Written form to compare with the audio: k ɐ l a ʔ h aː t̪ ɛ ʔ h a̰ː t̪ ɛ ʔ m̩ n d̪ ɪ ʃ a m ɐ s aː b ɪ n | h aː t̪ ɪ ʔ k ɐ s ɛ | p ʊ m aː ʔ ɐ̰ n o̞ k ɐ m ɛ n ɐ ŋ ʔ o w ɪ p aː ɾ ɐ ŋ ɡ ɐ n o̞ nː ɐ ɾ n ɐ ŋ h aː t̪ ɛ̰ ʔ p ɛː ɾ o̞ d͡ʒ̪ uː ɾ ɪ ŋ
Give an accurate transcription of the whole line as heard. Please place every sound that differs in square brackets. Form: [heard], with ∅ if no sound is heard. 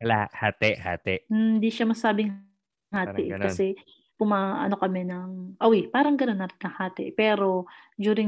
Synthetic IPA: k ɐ l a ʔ h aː t̪ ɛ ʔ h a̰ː t̪ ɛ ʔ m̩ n d̪ [i] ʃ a m ɐ s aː b ɪ [ŋ] | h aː t̪ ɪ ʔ k ɐ s ɛ | p ʊ m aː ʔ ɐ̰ n o̞ k ɐ m ɛ n ɐ ŋ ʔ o w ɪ p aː ɾ ɐ ŋ ɡ ɐ n o̞ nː ɐ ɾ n ɐ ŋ h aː t̪ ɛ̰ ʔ p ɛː ɾ o̞ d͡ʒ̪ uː ɾ ɪ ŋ